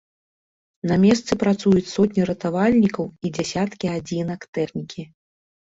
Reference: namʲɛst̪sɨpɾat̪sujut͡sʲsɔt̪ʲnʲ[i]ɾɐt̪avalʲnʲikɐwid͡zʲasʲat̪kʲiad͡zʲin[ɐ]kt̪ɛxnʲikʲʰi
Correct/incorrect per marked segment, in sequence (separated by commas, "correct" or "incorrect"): correct, correct